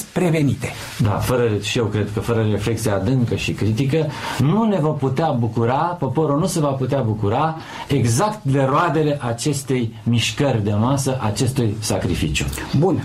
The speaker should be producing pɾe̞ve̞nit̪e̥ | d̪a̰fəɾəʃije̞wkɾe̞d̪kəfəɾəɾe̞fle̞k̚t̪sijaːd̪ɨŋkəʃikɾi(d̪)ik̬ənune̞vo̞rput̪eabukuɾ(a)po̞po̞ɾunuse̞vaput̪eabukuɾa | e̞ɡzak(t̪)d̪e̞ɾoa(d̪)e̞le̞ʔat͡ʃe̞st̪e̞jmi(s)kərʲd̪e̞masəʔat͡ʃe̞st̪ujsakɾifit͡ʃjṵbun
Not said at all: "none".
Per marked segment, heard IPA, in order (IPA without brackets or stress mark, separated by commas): t̪, a, t̪, d̪, ʃ